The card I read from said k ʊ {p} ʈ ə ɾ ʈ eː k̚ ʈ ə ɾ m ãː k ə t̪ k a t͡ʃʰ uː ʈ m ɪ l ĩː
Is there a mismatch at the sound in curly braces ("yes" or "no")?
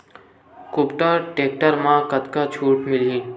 no